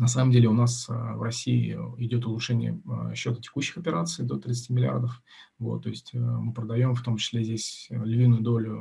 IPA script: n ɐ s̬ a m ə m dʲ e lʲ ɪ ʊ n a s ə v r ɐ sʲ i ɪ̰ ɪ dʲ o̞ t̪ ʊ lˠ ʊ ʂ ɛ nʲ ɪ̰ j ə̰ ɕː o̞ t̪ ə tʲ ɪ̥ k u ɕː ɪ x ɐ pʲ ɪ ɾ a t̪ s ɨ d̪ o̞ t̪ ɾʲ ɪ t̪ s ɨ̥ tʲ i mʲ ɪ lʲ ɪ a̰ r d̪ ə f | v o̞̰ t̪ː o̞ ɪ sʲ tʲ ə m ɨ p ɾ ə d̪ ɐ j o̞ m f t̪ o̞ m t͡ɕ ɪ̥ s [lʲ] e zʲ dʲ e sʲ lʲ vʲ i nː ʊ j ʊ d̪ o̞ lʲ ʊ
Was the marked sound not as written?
no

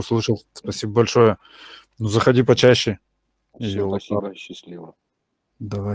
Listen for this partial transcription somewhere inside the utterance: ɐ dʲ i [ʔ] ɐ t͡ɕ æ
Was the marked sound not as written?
yes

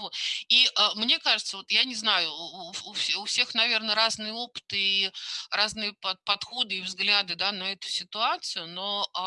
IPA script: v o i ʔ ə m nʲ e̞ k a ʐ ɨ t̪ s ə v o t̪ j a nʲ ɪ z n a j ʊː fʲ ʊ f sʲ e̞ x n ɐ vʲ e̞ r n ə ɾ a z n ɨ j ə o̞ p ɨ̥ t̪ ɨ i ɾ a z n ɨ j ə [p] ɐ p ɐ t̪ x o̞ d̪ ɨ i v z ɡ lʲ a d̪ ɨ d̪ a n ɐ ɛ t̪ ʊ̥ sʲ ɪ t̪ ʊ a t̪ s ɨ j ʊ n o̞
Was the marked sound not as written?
no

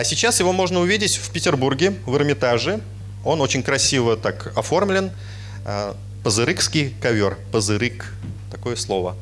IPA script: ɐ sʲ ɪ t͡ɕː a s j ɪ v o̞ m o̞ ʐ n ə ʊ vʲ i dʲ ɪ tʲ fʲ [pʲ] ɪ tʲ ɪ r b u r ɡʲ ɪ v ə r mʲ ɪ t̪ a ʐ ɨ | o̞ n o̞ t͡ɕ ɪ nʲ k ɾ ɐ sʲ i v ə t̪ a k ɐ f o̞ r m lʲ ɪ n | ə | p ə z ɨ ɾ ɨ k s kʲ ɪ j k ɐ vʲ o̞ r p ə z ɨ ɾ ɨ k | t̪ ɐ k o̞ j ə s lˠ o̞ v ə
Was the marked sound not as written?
no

